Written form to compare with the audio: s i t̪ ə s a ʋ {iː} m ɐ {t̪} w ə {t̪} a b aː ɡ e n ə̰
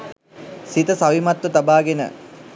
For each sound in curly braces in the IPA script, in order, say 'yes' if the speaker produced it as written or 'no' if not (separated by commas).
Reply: no, yes, yes